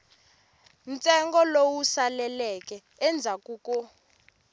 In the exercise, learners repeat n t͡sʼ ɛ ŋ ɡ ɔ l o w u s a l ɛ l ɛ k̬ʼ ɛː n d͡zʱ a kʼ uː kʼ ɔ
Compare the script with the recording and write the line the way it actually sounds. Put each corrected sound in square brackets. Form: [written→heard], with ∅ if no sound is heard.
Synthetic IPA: n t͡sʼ ɛ ŋ ɡ ɔ l o w u s a l ɛ l ɛ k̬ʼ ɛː n d͡zʱ a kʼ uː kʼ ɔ

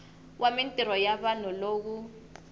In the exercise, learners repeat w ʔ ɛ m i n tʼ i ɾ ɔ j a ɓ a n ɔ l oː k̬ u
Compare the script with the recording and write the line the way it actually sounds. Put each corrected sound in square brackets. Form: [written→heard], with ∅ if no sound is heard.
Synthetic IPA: w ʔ [ɛ→a] m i n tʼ i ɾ ɔ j a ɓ a n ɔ l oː k̬ u

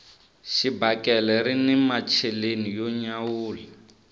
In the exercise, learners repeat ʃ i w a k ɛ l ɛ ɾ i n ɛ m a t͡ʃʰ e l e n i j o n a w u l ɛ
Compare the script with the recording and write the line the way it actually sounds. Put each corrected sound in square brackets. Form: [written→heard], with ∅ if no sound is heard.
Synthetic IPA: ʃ i [w→b] a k ɛ l ɛ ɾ i n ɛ m a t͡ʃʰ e l e n i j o [n→ɲ] a w [u→uː] l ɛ

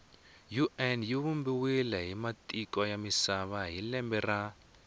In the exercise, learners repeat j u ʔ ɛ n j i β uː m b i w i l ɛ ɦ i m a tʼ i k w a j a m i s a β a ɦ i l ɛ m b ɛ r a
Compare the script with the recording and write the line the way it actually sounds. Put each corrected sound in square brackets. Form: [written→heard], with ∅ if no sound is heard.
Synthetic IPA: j u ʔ ɛ n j i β [uː→u] m b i w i l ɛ ɦ i m a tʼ i k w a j a m i s a β a ɦ i l ɛ m b ɛ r a

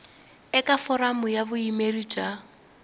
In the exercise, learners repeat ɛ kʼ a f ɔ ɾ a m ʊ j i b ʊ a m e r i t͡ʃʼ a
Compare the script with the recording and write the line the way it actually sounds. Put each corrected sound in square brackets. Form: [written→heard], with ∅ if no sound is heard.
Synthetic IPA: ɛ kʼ a f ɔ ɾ a m ʊ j [i→a] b ʊ [a→i] m e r i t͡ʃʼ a

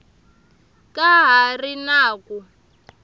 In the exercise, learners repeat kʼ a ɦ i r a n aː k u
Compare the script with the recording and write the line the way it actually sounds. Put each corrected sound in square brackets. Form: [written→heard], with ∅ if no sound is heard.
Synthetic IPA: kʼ a ɦ [i→a] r [a→i] n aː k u

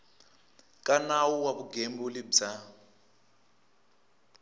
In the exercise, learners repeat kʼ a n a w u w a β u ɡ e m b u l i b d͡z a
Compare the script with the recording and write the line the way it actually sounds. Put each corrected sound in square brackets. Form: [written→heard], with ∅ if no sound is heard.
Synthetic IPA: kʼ a n a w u w a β u ɡ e m b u l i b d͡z a

